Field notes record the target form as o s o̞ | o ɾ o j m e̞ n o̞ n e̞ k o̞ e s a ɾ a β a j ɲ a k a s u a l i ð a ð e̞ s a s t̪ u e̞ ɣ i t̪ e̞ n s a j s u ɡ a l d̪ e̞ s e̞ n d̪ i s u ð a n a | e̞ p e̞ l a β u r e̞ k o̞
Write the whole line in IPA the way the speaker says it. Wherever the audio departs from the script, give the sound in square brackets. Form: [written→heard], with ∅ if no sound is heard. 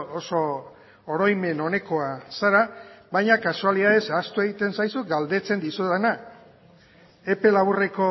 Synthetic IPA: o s o̞ | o ɾ o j m e̞ n o̞ n e̞ k o̞ [e→a] s a ɾ a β a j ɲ a k a s u a l i ð a ð e̞ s a s t̪ u e̞ ɣ i t̪ e̞ n s a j s u ɡ a l d̪ e̞ [s→t͡s] e̞ n d̪ i s u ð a n a | e̞ p e̞ l a β u r e̞ k o̞